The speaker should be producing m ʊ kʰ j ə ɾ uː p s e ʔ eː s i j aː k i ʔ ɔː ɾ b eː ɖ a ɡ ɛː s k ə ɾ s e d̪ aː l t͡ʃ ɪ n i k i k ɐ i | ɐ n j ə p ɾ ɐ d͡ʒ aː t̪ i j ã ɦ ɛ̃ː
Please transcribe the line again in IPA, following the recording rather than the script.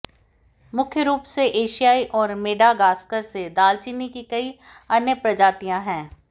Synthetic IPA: m ʊ kʰ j ə ɾ uː p s e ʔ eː ʃ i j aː i ʔ ɔː ɾ m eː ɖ a ɡ aː s k ə ɾ s e d̪ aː l t͡ʃ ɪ n i k i k ɐ i | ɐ n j ə p ɾ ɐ d͡ʒ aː t̪ i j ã ɦ ɛ̃ː